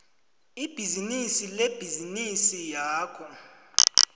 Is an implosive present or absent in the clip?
absent